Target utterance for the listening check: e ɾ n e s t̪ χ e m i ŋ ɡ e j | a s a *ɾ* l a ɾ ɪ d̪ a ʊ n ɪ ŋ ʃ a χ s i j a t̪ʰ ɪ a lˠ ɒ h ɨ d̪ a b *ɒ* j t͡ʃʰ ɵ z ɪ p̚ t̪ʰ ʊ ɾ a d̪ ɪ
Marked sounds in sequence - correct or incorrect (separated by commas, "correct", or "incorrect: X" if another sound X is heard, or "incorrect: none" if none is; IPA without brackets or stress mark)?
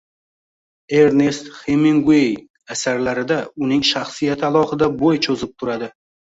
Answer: correct, incorrect: o